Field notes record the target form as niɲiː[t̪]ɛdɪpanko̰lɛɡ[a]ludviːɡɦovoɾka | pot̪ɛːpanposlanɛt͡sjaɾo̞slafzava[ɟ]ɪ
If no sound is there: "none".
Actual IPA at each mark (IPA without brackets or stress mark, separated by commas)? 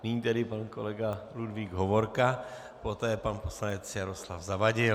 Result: t̪, a, ɟ